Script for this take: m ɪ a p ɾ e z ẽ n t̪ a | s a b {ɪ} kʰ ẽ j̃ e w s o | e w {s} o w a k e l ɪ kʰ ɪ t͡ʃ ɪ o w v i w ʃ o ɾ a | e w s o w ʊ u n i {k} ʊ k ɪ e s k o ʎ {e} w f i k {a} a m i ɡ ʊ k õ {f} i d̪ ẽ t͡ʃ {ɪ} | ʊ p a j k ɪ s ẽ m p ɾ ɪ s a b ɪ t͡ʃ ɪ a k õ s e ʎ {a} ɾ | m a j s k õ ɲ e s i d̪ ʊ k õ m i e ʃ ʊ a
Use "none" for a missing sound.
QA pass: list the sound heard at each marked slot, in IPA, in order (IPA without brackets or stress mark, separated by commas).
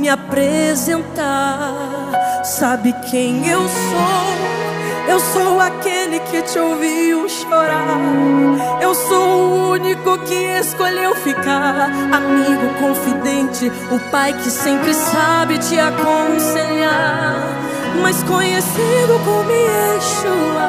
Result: ɪ, s, k, e, a, f, ɪ, a